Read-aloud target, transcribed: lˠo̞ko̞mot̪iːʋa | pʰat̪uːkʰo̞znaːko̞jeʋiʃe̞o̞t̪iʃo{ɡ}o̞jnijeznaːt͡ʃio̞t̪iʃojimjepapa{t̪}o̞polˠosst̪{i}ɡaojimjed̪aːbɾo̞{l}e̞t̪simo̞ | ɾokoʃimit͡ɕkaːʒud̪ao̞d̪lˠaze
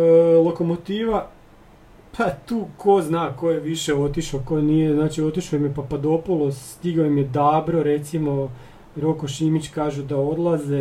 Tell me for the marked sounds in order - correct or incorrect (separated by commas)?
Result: incorrect, incorrect, correct, incorrect